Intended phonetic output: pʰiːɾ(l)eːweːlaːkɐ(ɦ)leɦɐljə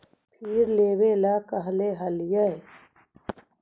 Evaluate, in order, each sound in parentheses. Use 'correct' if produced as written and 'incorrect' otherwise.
correct, correct

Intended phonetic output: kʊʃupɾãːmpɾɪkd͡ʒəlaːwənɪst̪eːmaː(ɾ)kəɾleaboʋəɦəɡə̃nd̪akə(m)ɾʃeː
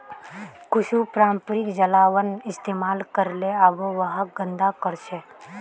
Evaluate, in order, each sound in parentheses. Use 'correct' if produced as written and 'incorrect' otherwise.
incorrect, incorrect

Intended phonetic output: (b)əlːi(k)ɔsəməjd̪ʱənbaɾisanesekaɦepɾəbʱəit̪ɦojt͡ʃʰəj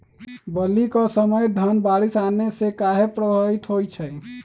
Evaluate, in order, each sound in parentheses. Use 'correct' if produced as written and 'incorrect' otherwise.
correct, correct

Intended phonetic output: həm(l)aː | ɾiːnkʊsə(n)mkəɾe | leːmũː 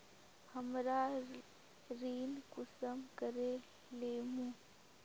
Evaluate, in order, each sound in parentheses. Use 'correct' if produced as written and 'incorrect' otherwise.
incorrect, incorrect

